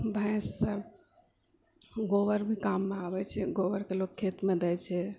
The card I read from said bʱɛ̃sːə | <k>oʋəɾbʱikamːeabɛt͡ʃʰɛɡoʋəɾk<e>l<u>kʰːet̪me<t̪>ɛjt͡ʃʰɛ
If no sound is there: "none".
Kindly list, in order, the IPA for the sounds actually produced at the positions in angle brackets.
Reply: ɡ, e, o, d̪

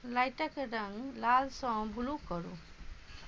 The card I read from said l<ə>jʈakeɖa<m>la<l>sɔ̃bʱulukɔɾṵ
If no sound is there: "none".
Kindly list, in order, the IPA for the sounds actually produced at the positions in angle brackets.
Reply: a, ŋ, l

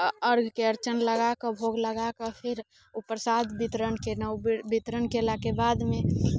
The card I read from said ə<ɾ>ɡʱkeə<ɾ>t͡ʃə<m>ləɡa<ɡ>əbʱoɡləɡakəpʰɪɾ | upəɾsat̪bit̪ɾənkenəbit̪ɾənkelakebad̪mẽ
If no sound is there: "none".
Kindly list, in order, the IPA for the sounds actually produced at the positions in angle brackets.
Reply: ɾ, ɾ, n, k

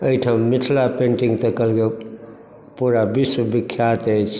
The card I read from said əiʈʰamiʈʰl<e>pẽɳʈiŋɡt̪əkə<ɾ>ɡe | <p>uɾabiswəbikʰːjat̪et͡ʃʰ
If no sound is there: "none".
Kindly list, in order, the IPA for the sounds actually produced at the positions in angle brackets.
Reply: a, l, p

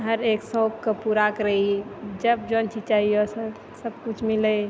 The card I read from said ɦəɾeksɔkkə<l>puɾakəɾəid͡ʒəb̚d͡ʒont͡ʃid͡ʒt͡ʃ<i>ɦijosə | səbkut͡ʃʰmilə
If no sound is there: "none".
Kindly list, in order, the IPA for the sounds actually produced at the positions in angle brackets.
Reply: none, a

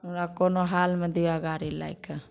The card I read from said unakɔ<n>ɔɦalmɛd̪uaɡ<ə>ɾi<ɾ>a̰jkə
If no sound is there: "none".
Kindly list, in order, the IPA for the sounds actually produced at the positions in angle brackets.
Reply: n, a, l

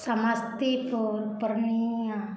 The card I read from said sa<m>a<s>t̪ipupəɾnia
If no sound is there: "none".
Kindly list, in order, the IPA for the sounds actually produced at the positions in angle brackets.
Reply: m, s

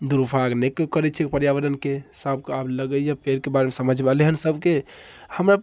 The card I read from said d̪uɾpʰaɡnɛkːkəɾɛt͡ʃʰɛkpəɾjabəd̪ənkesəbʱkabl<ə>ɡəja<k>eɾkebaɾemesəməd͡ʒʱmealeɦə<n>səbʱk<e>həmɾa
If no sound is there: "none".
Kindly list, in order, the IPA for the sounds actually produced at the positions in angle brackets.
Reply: ə, p, n, e

